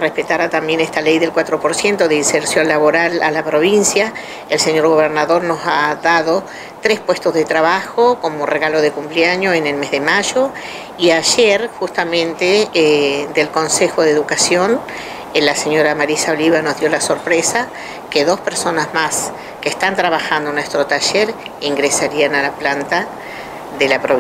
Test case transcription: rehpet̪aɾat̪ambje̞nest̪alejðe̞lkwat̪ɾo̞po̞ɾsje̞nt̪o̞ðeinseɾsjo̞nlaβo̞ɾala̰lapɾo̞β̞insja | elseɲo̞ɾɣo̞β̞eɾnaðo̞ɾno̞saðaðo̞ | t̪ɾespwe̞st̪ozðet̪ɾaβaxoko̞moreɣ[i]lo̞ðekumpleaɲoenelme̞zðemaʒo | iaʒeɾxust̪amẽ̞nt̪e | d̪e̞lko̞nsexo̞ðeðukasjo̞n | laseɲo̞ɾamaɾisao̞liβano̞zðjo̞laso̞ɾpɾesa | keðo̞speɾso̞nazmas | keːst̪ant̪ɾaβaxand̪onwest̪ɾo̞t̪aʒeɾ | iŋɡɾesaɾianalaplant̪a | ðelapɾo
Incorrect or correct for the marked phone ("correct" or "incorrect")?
incorrect